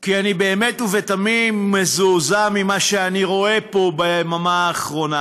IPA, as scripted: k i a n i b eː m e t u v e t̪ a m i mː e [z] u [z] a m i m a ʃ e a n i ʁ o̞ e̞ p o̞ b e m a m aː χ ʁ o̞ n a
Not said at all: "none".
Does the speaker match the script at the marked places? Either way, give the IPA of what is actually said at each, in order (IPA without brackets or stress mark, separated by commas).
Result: z, z